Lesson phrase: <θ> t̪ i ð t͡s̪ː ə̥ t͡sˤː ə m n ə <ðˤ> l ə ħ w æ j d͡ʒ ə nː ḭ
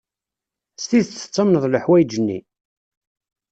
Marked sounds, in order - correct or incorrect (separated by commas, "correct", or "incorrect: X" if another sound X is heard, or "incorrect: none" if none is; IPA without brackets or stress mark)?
incorrect: s, correct